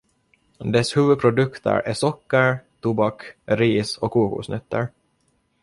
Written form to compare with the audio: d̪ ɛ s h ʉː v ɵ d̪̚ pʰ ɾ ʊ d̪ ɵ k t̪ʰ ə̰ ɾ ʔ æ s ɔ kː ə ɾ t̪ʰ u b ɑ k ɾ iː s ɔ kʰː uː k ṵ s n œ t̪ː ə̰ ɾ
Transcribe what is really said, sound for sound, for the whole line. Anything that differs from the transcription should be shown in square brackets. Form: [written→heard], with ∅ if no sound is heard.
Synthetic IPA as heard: d̪ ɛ s h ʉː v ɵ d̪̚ pʰ ɾ ʊ d̪ ɵ k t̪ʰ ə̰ ɾ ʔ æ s ɔ kː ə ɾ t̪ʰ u b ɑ k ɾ iː s ɔ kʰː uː k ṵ s n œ t̪ː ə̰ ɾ